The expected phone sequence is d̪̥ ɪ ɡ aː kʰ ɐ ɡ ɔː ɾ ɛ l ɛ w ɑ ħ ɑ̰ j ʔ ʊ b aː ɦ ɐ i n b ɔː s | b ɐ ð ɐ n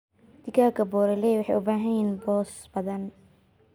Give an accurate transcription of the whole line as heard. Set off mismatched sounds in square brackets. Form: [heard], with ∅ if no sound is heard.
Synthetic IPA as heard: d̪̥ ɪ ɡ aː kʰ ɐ [b] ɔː ɾ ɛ l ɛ w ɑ ħ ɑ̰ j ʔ ʊ b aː ɦ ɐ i n b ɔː s | b ɐ ð ɐ n